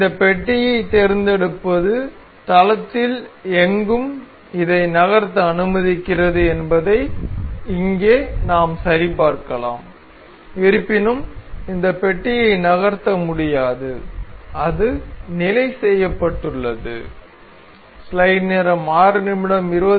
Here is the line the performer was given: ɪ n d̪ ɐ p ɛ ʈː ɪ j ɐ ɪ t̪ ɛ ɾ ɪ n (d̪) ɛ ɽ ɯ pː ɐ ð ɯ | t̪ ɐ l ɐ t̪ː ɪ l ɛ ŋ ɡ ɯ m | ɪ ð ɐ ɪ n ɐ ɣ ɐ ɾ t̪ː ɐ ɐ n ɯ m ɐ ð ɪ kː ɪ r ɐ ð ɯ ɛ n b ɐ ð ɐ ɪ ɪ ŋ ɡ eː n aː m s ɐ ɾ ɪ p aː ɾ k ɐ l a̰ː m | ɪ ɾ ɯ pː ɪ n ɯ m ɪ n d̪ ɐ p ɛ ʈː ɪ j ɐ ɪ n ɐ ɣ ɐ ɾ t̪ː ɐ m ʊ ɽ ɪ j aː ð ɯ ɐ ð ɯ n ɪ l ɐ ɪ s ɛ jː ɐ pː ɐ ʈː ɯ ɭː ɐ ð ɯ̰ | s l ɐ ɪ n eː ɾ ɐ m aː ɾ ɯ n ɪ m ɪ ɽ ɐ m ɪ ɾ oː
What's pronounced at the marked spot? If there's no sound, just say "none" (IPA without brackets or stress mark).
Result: d̪